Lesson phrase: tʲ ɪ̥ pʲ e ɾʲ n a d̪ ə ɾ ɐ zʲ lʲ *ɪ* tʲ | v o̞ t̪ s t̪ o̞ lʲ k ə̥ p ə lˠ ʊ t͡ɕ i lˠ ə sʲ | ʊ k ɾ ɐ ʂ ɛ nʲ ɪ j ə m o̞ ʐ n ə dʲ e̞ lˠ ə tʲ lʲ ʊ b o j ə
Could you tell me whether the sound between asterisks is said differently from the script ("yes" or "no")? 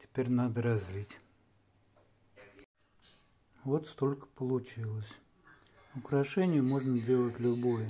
yes